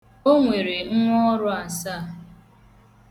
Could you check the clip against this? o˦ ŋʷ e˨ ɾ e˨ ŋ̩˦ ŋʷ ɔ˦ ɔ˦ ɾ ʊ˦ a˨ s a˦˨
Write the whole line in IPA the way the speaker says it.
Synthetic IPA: o˦ ŋʷ e˨ ɾ e˨ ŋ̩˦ ŋʷ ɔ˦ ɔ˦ ɾ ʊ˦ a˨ s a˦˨